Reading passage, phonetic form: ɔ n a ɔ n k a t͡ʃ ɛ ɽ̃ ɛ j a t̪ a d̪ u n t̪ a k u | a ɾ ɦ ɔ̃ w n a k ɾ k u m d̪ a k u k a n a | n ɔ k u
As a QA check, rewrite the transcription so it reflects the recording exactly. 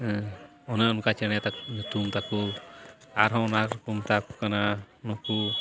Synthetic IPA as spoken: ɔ n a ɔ n k a t͡ʃ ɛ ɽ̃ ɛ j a t̪ a t̪ u m t̪ a k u | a ɾ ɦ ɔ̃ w n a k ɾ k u m t̪ a k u k a n a | n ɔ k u

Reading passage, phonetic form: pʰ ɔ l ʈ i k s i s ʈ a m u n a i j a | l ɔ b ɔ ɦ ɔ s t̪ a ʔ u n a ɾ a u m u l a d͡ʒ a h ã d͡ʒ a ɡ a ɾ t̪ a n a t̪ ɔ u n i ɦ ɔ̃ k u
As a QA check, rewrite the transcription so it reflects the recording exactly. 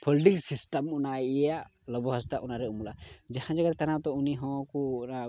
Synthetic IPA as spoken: pʰ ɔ l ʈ i k s i s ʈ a m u n a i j a | l ɔ b ɔ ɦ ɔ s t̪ a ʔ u n a ɾ ɛ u m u l a d͡ʒ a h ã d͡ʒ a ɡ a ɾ t̪ a n a t̪ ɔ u n i ɦ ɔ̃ k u

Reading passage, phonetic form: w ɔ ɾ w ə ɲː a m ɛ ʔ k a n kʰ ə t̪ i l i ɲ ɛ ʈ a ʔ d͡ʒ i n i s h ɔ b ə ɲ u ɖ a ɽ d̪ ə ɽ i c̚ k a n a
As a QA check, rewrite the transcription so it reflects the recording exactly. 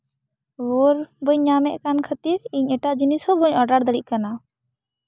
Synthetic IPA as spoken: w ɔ ɾ b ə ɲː a m ɛ ʔ k a n kʰ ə t̪ i ɾ i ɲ ɛ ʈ a ʔ d͡ʒ i n i s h ɔ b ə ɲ ɔ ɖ a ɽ d̪ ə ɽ i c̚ k a n a

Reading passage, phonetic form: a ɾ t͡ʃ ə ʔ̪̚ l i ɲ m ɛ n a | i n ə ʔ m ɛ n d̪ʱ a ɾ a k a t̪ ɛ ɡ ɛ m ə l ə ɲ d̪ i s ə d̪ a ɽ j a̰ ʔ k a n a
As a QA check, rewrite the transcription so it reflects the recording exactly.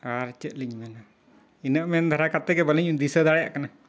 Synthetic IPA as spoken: a ɾ t͡ʃ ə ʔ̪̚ l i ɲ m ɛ n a | i n ə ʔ m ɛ n d̪ʱ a ɾ a k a t̪ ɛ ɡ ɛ b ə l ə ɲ d̪ i s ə d̪ a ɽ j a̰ ʔ k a n a

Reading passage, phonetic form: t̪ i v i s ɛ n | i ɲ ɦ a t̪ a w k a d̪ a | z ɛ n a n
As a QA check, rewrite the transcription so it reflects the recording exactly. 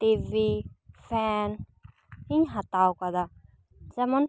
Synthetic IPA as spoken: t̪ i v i f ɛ n | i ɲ ɦ a t̪ a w k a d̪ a | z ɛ m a n

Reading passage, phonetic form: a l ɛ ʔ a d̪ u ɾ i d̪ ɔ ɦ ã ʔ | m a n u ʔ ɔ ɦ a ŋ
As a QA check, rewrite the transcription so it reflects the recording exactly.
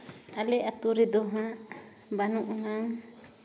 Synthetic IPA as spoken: a l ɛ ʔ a t̪ u ɾ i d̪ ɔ ɦ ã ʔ | b a n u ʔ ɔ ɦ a ŋ

